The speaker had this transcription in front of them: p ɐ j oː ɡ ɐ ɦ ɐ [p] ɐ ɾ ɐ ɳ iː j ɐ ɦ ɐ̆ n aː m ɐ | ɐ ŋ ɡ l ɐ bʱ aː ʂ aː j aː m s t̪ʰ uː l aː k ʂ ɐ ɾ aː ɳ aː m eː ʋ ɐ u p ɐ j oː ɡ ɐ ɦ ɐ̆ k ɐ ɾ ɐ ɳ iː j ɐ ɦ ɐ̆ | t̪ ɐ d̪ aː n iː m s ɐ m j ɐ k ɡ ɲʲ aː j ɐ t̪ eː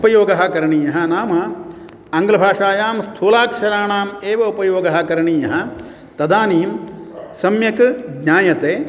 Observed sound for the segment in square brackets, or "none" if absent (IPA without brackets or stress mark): k